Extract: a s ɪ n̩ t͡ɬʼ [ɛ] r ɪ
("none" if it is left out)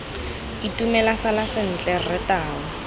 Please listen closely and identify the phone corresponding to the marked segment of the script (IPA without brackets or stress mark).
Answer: ɛ